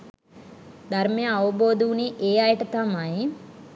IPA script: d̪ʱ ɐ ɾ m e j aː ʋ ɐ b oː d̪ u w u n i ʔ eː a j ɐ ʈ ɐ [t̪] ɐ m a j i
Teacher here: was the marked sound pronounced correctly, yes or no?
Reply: yes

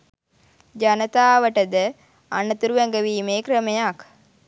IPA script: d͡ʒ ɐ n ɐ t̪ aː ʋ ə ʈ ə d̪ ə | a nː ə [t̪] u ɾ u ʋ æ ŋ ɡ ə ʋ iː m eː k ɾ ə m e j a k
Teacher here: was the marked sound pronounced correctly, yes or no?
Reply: yes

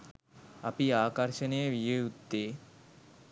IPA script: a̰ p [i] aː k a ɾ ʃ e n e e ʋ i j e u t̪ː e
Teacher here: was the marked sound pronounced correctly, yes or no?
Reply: yes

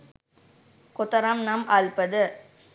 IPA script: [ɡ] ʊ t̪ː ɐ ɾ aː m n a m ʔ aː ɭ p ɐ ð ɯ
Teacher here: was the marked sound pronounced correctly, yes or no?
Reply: no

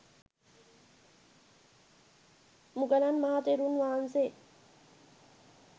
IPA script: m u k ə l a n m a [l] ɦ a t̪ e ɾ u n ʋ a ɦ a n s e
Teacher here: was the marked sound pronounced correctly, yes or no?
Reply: no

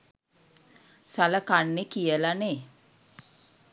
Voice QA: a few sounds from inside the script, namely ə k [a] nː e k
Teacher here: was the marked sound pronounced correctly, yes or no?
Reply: yes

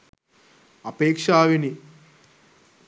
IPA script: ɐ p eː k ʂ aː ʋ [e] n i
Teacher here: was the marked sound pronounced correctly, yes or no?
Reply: no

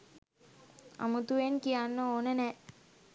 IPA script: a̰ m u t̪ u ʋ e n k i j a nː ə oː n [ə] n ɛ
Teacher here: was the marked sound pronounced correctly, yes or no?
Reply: yes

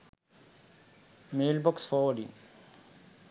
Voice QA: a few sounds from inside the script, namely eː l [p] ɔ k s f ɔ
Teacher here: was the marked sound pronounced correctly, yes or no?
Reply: no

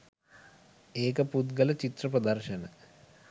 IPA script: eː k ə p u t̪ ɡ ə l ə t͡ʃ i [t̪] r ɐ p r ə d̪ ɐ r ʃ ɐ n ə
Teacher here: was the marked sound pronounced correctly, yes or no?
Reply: yes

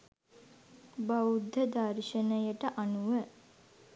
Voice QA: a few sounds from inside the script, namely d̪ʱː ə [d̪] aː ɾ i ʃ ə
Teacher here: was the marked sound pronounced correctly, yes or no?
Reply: yes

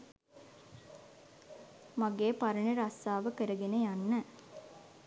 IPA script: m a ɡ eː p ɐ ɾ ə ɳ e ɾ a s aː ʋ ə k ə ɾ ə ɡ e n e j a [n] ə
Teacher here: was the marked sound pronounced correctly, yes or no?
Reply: no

